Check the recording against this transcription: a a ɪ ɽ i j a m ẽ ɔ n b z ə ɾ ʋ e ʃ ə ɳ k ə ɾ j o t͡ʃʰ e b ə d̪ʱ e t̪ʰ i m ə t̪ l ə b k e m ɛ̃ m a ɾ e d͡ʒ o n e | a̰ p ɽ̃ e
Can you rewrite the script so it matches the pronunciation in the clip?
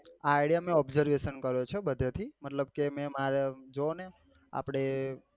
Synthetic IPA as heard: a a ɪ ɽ i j a m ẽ ɔ b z ə ɾ ʋ e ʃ ə n k ə ɾ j o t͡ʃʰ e b ə d̪ʱ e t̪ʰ i m ə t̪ l ə b k e m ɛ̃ m a ɾ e d͡ʒ o n e | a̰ p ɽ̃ e